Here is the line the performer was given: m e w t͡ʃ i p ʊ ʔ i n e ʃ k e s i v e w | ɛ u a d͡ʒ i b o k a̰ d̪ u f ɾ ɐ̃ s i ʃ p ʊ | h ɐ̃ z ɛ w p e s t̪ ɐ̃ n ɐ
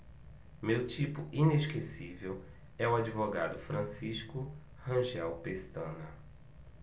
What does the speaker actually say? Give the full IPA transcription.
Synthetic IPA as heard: m e w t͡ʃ i p ʊ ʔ i n e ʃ k e s i v e w | ɛ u a d͡ʒ i v o ɡ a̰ d̪ ʊ f ɾ ɐ̃ s i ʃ k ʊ | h ɐ̃ ʒ ɛ w p e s t̪ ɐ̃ n ɐ